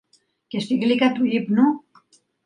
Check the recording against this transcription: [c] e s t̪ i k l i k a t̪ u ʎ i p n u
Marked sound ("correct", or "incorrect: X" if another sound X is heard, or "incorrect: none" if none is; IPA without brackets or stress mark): incorrect: k